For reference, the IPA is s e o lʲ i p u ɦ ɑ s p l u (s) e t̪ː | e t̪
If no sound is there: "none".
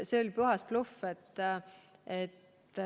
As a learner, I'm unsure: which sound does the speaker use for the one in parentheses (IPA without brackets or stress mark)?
f